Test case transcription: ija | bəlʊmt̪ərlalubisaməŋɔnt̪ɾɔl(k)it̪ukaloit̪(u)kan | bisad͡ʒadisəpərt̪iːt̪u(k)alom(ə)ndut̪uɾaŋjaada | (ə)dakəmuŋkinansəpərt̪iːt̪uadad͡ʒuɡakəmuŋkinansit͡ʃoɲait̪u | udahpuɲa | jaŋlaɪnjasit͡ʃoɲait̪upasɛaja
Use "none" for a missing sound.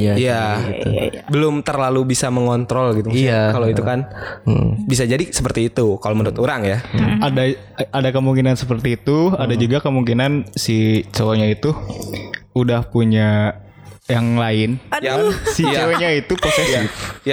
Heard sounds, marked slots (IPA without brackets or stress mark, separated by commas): ɡ, u, k, ə, a